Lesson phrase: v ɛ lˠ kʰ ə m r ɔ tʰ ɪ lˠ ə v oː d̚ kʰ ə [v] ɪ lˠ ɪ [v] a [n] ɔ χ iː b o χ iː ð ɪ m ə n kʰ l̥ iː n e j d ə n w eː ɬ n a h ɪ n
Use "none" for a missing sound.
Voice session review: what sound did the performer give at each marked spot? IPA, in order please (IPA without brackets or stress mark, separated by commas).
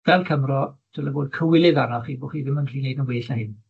w, ð, n